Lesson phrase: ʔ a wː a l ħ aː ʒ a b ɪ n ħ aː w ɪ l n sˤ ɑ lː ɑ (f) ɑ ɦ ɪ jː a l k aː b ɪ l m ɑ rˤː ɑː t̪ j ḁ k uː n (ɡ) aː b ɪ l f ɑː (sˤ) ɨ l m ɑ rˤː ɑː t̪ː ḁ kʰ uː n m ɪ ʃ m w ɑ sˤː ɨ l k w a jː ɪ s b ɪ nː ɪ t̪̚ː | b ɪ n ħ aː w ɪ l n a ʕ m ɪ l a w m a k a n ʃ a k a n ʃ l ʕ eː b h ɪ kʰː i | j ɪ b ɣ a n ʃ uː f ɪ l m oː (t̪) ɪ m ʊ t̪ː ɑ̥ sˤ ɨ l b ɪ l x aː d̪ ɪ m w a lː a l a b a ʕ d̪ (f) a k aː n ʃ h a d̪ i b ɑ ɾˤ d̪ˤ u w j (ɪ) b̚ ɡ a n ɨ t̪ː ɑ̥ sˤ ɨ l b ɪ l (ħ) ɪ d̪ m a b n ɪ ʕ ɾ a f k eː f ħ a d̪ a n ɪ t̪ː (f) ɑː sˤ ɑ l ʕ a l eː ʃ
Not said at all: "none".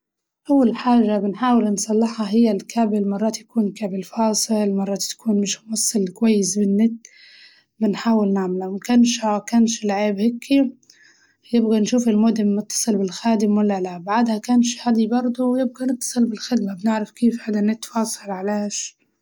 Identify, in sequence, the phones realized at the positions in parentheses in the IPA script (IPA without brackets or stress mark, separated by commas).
ħ, k, sˤ, d̪, h, ɪ, x, f